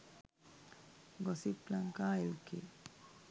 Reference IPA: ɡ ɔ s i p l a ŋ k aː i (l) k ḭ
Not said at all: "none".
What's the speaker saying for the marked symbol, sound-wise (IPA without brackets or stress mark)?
l